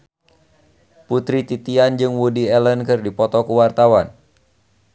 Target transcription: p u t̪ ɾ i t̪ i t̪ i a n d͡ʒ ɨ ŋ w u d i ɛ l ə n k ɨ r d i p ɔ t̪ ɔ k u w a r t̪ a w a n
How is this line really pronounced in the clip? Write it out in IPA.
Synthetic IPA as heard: p u t̪ ɾ i t̪ i t̪ i a n d͡ʒ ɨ ŋ w u d i ɛ l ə n k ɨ r d i p ɔ t̪ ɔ k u w a r t̪ a w a n